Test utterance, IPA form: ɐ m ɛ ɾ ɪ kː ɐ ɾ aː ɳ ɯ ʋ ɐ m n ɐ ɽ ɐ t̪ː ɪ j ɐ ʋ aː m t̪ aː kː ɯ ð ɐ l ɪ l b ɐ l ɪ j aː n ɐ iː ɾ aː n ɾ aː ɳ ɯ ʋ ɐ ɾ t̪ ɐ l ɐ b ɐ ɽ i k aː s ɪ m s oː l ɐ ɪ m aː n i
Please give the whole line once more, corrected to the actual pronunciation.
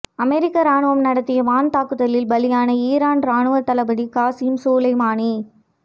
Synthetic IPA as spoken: ɐ m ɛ ɾ ɪ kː ɐ ɾ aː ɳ ɯ ʋ ɐ m n ɐ ɽ ɐ t̪ː ɪ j ɐ ʋ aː n t̪ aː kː ɯ ð ɐ l ɪ l b ɐ l ɪ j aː n ɐ iː ɾ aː n ɾ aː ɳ ɯ ʋ ɐ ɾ t̪ ɐ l ɐ b ɐ ɽ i k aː s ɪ m s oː l ɐ ɪ m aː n i